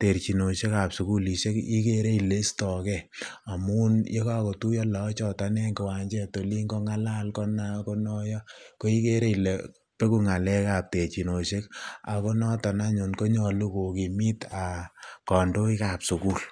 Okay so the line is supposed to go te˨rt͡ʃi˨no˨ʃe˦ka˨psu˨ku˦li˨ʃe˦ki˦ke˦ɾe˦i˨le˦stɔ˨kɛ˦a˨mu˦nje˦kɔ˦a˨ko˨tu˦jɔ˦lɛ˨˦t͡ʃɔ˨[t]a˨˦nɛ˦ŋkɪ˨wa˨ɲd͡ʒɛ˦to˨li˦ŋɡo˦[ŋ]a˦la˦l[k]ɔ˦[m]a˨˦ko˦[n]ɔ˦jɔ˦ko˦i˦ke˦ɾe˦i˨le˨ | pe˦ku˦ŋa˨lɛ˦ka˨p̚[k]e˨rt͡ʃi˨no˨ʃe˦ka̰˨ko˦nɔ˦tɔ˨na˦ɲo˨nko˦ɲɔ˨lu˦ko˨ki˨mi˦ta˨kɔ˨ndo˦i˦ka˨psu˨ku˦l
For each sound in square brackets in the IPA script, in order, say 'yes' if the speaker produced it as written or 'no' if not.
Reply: yes, yes, yes, no, yes, no

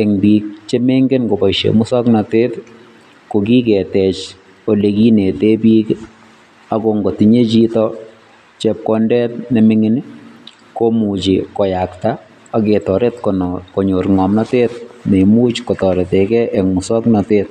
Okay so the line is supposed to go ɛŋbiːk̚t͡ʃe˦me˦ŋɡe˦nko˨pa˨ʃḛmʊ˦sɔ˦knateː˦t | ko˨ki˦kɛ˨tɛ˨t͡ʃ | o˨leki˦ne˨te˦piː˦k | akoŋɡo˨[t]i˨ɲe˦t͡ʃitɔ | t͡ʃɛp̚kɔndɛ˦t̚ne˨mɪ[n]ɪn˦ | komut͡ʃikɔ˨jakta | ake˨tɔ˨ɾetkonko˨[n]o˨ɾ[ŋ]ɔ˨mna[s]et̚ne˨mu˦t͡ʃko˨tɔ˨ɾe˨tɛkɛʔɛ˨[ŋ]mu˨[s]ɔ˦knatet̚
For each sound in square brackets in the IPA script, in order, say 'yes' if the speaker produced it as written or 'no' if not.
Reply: yes, no, no, yes, no, yes, yes

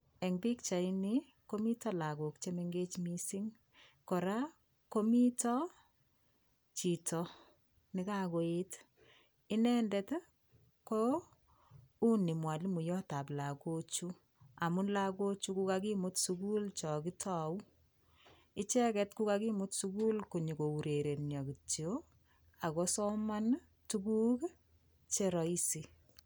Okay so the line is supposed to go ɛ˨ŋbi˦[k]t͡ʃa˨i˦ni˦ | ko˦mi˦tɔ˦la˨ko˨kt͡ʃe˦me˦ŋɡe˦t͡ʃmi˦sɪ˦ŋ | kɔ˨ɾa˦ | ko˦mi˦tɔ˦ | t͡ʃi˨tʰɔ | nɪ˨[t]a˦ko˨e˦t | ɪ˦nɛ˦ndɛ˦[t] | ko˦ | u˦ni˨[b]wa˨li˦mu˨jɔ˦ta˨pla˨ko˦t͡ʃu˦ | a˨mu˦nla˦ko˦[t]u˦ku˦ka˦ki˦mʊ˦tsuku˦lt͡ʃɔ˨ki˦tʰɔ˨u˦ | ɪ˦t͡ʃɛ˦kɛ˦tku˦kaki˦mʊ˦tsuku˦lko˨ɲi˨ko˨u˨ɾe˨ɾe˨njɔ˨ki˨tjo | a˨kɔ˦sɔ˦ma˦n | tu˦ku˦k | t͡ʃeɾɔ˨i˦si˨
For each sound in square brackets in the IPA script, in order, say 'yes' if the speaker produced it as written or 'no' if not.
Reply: yes, no, yes, no, no

